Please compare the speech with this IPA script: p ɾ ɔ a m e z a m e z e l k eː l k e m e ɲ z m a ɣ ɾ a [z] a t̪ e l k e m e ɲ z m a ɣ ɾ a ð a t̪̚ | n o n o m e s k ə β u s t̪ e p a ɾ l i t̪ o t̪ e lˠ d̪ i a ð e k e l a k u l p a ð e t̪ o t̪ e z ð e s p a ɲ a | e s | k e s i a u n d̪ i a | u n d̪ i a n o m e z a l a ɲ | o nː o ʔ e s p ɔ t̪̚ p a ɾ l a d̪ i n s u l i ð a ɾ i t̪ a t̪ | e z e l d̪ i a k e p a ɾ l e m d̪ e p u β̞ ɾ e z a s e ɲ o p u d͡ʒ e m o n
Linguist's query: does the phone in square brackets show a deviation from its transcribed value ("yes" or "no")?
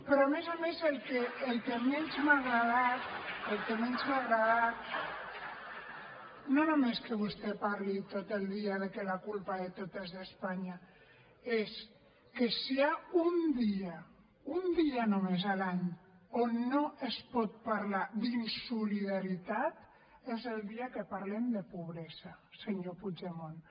yes